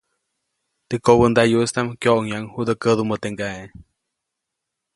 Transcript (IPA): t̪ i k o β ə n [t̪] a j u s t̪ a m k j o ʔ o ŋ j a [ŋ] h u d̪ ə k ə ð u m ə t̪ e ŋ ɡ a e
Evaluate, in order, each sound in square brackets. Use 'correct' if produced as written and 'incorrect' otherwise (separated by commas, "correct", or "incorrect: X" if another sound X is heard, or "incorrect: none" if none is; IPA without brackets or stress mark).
incorrect: d̪, correct